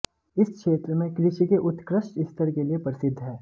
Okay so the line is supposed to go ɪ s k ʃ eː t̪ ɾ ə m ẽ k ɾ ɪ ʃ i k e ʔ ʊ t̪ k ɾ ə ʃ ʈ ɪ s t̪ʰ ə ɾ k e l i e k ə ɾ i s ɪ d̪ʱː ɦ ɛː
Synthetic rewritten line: ɪ s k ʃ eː t̪ ɾ ə m ẽ k ɾ ɪ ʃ i k e ʔ ʊ t̪ k ɾ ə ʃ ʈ ɪ s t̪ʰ ə ɾ k e l i e p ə ɾ ɪ s ɪ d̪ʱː ɦ ɛː

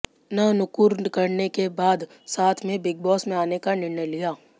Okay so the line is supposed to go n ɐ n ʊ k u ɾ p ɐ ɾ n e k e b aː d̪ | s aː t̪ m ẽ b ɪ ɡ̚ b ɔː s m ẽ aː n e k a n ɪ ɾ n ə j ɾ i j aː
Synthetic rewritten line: n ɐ n ʊ k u ɾ k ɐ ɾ n e k e b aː d̪ | s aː t̪ʰ m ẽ b ɪ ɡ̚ b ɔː s m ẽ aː n e k a n ɪ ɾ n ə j l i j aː

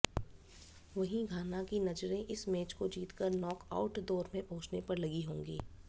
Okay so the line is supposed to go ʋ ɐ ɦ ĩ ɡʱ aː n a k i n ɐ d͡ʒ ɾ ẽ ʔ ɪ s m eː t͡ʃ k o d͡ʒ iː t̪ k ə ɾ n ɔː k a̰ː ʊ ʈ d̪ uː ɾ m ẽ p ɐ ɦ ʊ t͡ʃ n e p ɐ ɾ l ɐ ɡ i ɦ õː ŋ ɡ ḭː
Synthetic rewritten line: ʋ ɐ ɦ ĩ ɡʱ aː n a k i n ɐ d͡ʒ ɾ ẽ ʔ ɪ s m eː t͡ʃ k o d͡ʒ iː t̪ k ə ɾ n ɔː k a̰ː ʊ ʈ d̪ ɔː ɾ m ẽ p ɐ ɦ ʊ t͡ʃ n e p ɐ ɾ l ɐ ɡ i ɦ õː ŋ ɡ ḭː

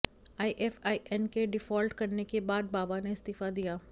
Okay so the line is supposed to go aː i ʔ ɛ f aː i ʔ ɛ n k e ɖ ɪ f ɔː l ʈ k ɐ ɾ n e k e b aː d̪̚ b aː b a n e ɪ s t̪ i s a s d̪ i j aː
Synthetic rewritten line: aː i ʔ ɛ f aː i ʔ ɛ n k e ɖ ɪ f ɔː l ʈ k ɐ ɾ n e k e b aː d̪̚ b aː b a n e ɪ s t̪ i f a d̪ i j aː

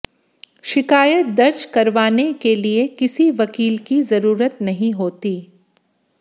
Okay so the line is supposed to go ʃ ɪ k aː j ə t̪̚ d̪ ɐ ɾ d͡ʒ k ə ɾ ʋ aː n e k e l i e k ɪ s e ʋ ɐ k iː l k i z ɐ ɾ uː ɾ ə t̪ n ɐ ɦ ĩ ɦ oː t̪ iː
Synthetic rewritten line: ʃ ɪ k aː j ə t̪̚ d̪ ɐ ɾ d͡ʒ k ɐ ɾ ʋ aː n e k e l i e k ɪ s i ʋ ɐ k iː l k i z ɐ ɾ uː ɾ ə t̪ n ɐ ɦ ĩ ɦ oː t̪ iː

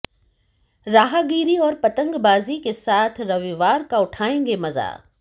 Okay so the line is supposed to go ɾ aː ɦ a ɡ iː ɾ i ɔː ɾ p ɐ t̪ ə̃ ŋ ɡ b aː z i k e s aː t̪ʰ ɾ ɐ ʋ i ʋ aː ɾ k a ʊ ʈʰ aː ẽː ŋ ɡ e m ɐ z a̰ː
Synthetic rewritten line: ɾ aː ɦ a ɡ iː ɾ i ɔː ɾ p ɐ t̪ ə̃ ŋ ɡ b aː z i k e s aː t̪ʰ ɾ ɐ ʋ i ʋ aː ɾ k a ʊ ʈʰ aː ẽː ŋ ɡ e m ɐ z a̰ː

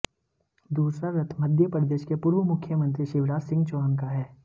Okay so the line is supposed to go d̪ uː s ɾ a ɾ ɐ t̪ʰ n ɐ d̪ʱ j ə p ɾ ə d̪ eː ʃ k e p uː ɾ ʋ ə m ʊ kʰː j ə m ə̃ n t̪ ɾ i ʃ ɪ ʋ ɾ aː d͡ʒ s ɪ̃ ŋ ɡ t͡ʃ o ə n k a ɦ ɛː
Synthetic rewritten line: d̪ uː s ɾ a ɾ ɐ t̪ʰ m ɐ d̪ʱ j ə p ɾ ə d̪ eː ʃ k e p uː ɾ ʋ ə m ʊ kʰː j ə m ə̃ n t̪ ɾ i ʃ ɪ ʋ ɾ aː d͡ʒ s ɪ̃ ŋ ɡ t͡ʃ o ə n k a ɦ ɛː

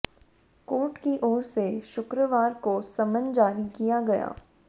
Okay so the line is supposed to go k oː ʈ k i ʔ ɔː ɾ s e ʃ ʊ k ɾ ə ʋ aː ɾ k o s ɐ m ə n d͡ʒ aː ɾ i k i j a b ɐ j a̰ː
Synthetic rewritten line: k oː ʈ k i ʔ ɔː ɾ s e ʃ ʊ k ɾ ə ʋ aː ɾ k o s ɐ m ə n d͡ʒ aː ɾ i k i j a ɡ ɐ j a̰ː

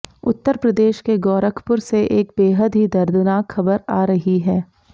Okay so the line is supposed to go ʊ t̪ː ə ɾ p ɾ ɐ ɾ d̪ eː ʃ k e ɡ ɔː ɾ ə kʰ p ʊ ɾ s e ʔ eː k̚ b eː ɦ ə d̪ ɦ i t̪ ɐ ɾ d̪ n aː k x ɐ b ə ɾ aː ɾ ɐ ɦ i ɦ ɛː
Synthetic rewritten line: ʊ t̪ː ə ɾ p ɾ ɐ d̪ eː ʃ k e ɡ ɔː ɾ ə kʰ p ʊ ɾ s e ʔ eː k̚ b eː ɦ ə d̪ ɦ i d̪ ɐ ɾ d̪ n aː k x ɐ b ə ɾ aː ɾ ɐ ɦ i ɦ ɛː

